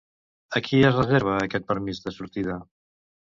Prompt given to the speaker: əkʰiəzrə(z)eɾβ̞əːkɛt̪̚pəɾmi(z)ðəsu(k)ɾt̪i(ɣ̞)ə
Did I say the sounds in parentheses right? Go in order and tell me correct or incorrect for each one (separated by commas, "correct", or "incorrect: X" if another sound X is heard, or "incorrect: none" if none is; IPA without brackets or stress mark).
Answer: correct, correct, incorrect: none, incorrect: ð̞